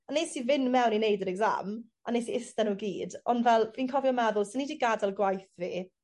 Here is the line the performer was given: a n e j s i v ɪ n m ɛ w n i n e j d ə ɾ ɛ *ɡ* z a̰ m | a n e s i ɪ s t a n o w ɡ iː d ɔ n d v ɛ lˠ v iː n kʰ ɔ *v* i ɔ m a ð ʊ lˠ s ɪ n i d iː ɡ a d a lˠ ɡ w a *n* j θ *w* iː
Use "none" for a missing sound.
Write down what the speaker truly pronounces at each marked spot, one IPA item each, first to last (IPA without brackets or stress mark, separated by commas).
ɡ, v, none, v